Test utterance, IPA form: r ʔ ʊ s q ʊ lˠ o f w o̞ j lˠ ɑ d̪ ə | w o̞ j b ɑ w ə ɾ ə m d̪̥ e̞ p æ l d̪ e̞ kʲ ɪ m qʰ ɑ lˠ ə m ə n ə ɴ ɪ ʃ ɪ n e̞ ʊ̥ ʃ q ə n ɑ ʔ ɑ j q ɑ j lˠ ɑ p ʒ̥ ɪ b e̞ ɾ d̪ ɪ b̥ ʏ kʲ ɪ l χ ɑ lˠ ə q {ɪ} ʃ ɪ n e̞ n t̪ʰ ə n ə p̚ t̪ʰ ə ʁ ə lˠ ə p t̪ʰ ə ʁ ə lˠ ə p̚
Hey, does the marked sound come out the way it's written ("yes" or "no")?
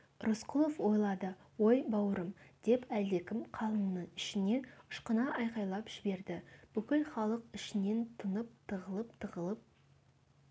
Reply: yes